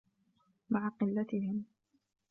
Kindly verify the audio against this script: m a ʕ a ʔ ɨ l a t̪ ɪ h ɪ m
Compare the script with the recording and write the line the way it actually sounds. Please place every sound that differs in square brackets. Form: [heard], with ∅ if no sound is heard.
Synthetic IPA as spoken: m a ʕ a [q] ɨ [lː] a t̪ ɪ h ɪ m